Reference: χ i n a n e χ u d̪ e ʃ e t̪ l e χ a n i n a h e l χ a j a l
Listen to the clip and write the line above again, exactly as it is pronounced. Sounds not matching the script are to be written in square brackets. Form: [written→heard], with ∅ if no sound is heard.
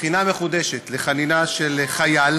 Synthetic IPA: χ i n a [n→m] e χ u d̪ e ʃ e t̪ l e χ a n i n a [h→ʃ] e l χ a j a l